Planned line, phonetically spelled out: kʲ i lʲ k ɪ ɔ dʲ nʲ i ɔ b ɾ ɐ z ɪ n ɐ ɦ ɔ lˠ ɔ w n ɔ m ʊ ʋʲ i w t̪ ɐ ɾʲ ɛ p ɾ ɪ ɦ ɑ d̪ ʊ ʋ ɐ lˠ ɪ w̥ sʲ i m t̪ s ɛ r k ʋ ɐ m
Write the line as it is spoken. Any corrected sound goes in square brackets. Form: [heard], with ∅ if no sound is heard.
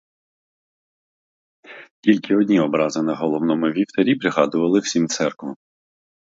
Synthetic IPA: kʲ i lʲ k ɪ ɔ dʲ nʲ i ɔ b ɾ [ɑ] z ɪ n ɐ ɦ ɔ lˠ ɔ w n ɔ m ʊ ʋʲ i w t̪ ɐ ɾʲ [i] p ɾ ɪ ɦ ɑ d̪ ʊ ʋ ɐ lˠ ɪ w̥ sʲ i m t̪ s ɛ r k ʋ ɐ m